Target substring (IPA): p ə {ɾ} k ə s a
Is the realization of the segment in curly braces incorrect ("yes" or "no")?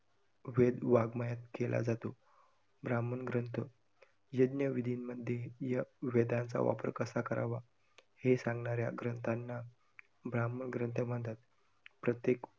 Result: no